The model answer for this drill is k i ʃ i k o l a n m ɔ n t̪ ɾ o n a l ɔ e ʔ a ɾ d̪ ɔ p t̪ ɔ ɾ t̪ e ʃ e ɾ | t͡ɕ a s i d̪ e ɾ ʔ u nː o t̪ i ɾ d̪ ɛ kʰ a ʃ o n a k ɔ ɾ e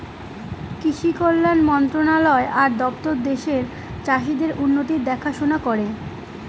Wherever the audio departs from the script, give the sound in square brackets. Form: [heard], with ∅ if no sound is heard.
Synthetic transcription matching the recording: k i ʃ i k o [lː] a n m ɔ n t̪ ɾ o n a l ɔ e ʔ a ɾ d̪ ɔ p t̪ [o] ɾ [d̪] e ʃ e ɾ | t͡ɕ a [ʃ] i d̪ e ɾ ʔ u nː o t̪ i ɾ d̪ ɛ kʰ a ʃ o n a k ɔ ɾ e